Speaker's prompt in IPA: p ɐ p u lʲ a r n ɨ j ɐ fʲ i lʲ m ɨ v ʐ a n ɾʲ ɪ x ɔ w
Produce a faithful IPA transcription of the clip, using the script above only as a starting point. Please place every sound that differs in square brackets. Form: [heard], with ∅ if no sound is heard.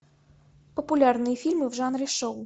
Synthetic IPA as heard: p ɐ p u lʲ a r n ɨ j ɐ fʲ i lʲ m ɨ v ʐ a n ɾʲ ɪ [ʂ] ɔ w